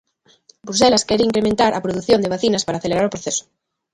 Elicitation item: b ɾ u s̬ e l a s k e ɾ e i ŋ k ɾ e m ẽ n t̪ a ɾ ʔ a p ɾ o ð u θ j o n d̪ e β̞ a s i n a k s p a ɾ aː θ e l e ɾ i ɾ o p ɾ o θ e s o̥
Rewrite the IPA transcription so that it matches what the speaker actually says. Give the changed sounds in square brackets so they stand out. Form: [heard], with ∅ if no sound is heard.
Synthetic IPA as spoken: b ɾ u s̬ e l a s k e ɾ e i ŋ k ɾ e m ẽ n t̪ a ɾ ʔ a p ɾ o ð u θ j o n d̪ e β̞ a [θ] i n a [∅] s p a ɾ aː θ e l e ɾ [a] ɾ o p ɾ o θ e s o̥